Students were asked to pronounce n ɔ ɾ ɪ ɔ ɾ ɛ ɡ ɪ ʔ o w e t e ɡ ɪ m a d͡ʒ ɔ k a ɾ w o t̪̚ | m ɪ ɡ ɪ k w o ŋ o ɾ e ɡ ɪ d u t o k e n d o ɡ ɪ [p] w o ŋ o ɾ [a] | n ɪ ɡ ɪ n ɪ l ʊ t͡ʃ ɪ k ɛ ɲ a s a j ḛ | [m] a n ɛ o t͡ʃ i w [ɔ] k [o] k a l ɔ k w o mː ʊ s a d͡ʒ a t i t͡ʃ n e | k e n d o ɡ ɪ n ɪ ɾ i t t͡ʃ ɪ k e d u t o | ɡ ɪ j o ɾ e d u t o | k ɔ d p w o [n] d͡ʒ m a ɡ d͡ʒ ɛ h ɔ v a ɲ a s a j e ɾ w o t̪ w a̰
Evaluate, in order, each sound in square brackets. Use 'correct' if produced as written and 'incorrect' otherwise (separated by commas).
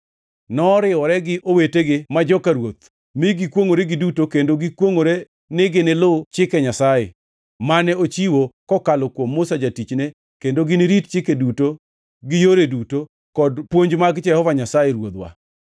incorrect, incorrect, correct, incorrect, incorrect, incorrect